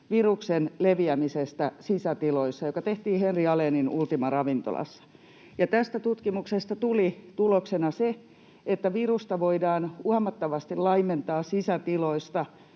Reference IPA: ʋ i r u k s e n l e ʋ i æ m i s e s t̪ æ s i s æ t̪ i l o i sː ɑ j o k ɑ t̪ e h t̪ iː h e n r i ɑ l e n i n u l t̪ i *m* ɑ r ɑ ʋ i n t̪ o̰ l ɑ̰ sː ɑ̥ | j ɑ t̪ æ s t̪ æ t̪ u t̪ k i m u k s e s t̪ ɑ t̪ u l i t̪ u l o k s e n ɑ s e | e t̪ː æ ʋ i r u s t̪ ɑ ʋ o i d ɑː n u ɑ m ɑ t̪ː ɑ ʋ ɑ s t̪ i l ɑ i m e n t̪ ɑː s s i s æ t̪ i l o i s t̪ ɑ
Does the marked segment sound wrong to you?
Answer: no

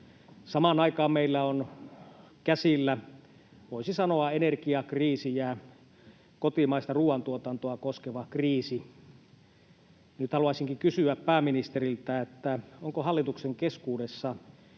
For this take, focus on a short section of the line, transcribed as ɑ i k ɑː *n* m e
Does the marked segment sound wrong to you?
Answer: yes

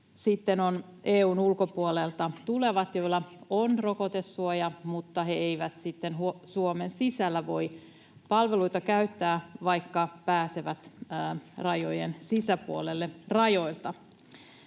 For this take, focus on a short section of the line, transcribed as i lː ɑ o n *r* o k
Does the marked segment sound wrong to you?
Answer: no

